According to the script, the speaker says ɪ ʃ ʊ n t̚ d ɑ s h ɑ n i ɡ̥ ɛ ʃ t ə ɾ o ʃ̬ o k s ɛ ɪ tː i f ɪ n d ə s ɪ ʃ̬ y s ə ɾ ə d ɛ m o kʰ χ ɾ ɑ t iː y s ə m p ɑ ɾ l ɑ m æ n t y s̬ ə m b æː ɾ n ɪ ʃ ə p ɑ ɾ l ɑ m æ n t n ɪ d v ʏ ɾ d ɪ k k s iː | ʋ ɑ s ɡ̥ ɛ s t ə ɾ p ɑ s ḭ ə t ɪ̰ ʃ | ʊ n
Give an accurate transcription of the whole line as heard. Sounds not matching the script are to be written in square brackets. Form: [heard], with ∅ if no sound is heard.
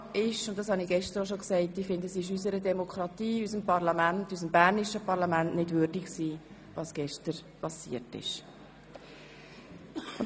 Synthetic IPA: ɪ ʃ ʊ n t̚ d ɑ s h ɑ n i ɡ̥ ɛ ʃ t ə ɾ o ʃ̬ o k s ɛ ɪ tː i f ɪ n d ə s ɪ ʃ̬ y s ə ɾ ə d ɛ m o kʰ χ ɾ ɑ t iː y s ə m p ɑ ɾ l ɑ m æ n t y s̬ ə m b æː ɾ n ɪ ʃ ə p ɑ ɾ l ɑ m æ n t n ɪ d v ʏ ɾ d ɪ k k s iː | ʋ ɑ s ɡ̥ ɛ [ʃ] t ə ɾ p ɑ s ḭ ə t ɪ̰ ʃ | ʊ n